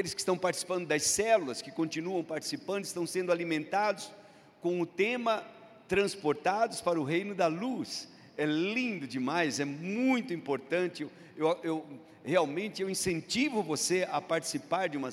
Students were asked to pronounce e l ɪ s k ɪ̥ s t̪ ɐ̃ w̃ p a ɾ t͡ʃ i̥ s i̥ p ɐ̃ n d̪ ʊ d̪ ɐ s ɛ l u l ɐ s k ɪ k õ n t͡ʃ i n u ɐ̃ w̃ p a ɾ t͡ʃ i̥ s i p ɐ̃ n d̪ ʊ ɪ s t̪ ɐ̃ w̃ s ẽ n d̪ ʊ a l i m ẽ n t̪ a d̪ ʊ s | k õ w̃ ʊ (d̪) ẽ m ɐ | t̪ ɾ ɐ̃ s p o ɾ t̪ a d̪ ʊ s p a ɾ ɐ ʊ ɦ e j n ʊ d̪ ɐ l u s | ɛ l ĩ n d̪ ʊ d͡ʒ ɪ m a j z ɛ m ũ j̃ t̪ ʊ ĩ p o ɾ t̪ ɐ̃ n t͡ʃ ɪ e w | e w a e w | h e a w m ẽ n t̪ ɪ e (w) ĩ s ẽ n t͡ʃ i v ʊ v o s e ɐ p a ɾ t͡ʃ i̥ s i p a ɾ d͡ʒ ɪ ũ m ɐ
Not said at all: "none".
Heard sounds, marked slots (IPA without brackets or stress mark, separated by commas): t̪, w